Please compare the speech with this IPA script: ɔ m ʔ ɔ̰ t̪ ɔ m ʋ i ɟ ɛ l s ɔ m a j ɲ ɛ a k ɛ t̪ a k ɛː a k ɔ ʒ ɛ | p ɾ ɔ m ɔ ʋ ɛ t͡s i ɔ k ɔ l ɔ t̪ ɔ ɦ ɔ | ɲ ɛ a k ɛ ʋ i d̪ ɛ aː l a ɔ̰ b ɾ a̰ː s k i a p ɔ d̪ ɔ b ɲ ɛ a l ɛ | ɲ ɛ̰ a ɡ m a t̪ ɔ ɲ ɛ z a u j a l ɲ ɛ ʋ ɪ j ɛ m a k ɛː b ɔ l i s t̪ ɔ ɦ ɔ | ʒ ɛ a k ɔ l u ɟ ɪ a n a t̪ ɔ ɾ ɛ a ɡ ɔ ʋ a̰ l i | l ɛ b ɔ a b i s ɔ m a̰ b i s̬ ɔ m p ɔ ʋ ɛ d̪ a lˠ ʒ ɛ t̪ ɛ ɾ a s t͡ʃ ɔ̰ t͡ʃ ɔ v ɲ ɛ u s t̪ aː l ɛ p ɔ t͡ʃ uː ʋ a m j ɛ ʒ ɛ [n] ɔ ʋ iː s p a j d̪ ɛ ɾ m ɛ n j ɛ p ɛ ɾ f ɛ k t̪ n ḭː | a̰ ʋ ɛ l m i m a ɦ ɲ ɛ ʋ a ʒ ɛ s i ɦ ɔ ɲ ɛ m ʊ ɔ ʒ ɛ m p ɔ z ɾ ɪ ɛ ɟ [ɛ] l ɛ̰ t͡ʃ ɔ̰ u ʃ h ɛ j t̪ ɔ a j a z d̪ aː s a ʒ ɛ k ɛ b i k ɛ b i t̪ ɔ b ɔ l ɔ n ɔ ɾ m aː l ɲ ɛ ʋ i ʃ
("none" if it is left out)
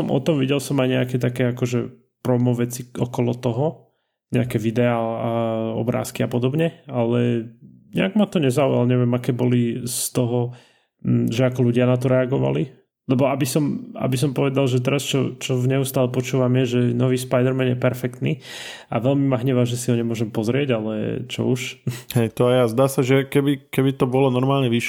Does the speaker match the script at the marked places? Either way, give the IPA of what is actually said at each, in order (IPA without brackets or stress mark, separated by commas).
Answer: n, a